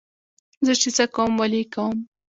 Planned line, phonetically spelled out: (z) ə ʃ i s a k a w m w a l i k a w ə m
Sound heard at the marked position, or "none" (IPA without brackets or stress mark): z